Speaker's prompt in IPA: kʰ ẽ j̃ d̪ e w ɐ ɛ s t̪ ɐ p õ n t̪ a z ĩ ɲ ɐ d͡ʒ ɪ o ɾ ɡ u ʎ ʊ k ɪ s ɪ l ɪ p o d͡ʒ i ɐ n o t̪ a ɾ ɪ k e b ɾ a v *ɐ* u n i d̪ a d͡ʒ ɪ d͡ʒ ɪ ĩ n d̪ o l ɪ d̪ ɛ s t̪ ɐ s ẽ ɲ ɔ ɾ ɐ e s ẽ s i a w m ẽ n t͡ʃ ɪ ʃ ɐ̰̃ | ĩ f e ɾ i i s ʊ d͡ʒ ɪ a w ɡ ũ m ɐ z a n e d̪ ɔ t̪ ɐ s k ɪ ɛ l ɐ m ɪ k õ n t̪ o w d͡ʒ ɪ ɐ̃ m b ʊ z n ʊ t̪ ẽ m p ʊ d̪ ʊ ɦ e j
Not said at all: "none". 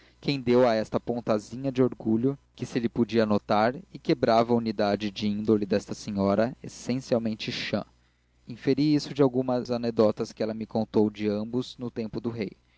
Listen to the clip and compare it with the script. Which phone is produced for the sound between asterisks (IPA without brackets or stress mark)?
ɐ